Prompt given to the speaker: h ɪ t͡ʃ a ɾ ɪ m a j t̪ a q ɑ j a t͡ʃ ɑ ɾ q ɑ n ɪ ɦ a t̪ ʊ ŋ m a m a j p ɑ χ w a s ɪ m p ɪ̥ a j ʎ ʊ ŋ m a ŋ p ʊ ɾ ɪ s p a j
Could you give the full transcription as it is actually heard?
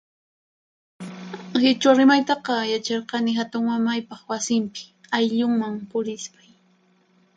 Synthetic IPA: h ɪ t͡ʃ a ɾ ɪ m a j t̪ ɑ q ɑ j a t͡ʃ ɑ ɾ q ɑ n ɪ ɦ a t̪ ʊ ŋ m a m a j p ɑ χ w a s ɪ m p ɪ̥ a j ʎ ʊ ŋ m a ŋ p ʊ ɾ ɪ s p a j